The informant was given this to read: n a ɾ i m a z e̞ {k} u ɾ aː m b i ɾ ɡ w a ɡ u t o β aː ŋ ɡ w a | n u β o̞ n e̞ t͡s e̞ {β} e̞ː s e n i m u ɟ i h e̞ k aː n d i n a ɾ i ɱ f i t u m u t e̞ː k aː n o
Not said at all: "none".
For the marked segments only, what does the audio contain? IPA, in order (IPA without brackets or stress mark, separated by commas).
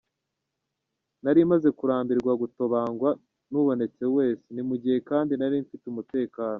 k, w